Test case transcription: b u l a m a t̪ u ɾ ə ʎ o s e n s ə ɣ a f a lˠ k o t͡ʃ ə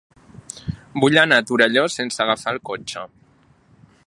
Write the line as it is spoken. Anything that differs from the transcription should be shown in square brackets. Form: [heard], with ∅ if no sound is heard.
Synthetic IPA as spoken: b u [ʎ] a [n] a t̪ u ɾ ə ʎ o s e n s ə ɣ a f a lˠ k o t͡ʃ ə